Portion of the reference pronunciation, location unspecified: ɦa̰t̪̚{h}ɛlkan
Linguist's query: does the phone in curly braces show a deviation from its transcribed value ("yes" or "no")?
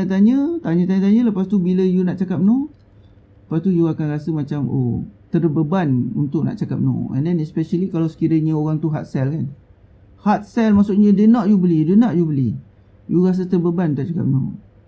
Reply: yes